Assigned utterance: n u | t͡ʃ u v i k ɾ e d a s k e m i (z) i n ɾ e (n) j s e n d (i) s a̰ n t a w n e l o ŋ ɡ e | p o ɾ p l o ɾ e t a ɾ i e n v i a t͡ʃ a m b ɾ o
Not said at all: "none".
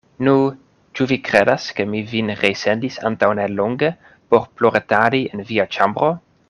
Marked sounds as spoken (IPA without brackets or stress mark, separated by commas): v, none, i